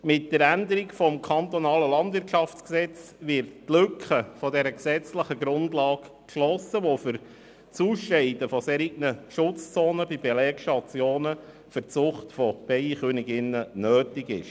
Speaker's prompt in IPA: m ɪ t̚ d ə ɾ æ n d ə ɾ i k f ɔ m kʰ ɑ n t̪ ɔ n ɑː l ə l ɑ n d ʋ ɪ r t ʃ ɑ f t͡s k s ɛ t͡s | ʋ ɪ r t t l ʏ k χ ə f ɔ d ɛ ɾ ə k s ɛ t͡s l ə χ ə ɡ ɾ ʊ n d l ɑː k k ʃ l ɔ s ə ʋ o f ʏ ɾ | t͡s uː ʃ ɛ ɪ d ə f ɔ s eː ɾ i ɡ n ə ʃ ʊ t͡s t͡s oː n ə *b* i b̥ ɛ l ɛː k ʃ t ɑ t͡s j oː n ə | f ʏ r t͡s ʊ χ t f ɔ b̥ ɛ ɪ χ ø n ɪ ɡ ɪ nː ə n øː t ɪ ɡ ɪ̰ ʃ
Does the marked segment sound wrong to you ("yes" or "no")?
no